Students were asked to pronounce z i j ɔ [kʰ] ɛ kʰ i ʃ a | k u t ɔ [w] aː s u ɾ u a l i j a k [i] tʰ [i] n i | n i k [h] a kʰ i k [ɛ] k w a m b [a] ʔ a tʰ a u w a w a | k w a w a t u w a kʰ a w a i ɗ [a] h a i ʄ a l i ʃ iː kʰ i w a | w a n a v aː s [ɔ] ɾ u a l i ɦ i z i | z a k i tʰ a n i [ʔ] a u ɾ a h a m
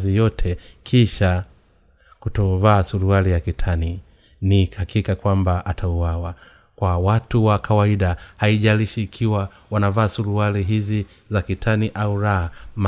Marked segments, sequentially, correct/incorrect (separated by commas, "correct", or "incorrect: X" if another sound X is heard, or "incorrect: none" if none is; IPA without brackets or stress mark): incorrect: tʰ, incorrect: v, correct, incorrect: a, correct, incorrect: a, correct, correct, incorrect: u, correct